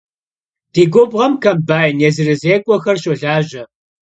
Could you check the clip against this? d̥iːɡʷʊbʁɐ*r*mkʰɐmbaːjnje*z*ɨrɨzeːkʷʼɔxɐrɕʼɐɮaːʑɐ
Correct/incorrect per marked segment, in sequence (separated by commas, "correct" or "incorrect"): incorrect, correct